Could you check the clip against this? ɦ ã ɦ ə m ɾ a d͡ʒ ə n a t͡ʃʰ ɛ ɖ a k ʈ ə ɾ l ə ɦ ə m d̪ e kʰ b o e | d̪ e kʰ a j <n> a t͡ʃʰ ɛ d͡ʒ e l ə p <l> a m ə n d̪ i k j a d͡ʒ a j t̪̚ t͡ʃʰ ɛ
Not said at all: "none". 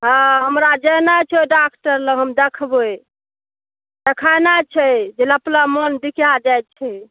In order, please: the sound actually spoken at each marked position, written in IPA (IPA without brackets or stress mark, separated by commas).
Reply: n, l